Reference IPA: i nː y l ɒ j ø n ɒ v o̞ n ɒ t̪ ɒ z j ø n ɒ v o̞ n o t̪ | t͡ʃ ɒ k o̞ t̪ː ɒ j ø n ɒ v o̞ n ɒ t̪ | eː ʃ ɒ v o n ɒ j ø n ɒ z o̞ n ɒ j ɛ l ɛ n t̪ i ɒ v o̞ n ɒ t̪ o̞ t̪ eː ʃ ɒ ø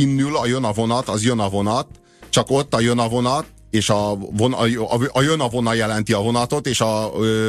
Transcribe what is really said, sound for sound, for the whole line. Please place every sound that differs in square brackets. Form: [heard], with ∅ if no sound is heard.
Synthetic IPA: i nː y l ɒ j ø n ɒ v o̞ n ɒ t̪ ɒ z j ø n ɒ v o̞ n [ɒ] t̪ | t͡ʃ ɒ k o̞ t̪ː ɒ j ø n ɒ v o̞ n ɒ t̪ | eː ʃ ɒ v o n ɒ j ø n ɒ [v] o̞ n ɒ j ɛ l ɛ n t̪ i ɒ v o̞ n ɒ t̪ o̞ t̪ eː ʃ ɒ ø